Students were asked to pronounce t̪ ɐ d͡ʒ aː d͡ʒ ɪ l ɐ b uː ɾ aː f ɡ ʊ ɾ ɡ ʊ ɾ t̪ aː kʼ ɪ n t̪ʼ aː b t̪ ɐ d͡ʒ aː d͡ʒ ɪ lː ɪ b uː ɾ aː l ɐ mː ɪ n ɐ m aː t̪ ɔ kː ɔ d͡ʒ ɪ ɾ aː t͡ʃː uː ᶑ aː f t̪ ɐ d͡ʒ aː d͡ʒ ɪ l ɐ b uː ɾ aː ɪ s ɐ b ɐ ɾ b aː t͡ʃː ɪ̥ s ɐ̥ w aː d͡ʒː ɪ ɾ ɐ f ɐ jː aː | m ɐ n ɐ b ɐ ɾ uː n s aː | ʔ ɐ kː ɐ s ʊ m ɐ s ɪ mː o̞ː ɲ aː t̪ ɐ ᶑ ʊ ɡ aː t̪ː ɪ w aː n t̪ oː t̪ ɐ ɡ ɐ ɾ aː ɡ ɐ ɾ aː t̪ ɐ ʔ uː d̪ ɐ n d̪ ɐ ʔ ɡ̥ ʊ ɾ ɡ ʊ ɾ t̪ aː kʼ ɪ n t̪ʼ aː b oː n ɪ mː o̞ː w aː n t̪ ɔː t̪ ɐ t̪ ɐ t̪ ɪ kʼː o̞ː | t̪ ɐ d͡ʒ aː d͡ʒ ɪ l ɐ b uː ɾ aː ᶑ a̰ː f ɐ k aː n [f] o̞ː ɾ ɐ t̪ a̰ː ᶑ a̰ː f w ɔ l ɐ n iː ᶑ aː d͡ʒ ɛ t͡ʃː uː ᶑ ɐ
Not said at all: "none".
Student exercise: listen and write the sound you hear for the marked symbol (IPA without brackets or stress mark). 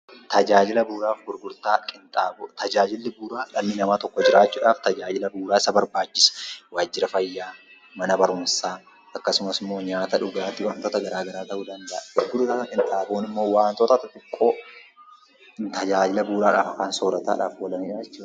s